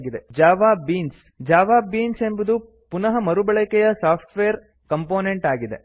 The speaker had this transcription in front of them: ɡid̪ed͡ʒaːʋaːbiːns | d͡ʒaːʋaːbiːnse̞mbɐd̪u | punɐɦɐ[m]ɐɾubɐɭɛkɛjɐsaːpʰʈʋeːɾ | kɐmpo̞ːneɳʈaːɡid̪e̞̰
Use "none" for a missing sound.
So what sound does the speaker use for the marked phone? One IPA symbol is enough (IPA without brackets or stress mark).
m